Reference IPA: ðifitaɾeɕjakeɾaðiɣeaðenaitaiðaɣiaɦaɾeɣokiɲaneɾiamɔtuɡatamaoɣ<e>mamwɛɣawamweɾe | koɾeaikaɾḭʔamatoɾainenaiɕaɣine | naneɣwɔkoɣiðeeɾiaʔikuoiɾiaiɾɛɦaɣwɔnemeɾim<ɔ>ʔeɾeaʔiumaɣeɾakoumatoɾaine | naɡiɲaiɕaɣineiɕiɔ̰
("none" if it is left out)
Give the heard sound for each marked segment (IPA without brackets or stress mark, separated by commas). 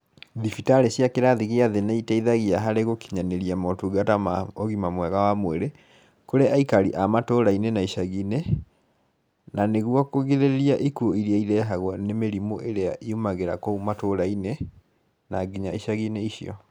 i, o